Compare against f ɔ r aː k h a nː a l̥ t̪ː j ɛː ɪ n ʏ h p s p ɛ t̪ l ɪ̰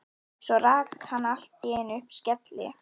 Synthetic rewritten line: s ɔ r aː k h a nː a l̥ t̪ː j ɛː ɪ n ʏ h p s c ɛ t̪ l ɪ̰